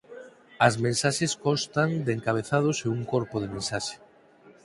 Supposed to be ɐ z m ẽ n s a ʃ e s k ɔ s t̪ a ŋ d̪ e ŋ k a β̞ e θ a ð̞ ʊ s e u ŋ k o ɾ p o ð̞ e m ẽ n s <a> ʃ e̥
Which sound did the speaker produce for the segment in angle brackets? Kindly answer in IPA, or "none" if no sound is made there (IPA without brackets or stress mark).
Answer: a